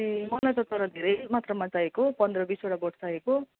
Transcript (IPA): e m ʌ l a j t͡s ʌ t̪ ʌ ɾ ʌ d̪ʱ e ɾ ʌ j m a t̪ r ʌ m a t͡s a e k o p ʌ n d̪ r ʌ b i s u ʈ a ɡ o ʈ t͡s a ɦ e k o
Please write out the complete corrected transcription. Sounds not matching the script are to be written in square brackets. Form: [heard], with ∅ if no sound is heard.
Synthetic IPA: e m ʌ l a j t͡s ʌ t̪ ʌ ɾ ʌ d̪ʱ e ɾ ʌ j m a t̪ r ʌ m a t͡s a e k o p ʌ n d̪ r ʌ b i s [o] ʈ a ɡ o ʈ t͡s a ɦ e k o